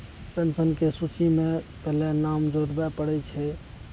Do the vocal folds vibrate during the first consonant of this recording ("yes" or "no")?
no